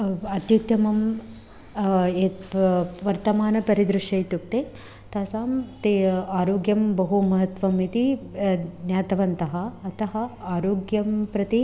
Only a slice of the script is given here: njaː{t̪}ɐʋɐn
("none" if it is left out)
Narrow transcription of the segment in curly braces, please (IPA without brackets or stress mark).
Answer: t̪